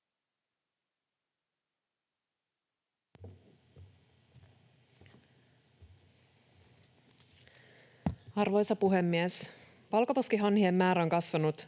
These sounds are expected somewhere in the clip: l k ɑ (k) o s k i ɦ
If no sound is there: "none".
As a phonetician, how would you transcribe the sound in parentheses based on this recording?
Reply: p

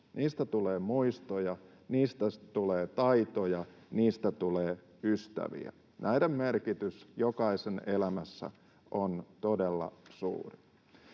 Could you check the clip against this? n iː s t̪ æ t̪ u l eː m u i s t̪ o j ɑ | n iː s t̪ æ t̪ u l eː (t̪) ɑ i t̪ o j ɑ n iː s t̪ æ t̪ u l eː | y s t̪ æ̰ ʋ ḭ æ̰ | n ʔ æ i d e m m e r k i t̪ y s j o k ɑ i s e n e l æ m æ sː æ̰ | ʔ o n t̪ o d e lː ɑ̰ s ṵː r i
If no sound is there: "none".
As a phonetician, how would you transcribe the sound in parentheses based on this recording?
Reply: t̪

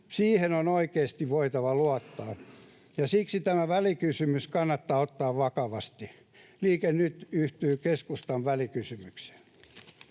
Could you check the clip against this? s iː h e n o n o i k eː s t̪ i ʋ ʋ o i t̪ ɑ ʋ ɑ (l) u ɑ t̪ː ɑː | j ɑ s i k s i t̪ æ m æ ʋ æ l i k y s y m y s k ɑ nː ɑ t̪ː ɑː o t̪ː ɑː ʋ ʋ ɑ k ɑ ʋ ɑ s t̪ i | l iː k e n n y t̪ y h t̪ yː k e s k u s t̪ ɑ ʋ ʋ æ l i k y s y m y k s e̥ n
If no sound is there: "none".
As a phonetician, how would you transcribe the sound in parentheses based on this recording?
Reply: l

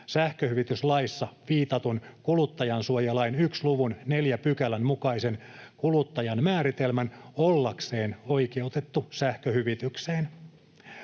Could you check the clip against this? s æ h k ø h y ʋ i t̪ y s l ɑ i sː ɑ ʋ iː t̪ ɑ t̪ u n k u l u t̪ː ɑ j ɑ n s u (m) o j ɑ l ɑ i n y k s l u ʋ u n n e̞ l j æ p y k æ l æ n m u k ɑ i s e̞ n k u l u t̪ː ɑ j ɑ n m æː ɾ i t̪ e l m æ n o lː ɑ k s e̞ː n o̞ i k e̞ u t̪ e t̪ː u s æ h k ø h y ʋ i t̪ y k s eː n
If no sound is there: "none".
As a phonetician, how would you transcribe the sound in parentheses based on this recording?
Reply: none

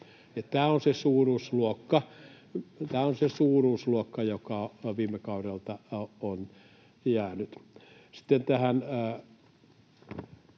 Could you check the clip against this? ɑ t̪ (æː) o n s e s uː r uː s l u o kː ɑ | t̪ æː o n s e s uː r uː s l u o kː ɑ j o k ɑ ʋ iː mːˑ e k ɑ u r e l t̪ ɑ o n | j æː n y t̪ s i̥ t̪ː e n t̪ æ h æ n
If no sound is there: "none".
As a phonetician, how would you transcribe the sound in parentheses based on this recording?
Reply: æː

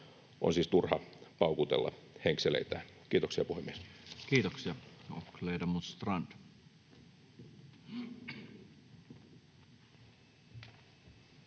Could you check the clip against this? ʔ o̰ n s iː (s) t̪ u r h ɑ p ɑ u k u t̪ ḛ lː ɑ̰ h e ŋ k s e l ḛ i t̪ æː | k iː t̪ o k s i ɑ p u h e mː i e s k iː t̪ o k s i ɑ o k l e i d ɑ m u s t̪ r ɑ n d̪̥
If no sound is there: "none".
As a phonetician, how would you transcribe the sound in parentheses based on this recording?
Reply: s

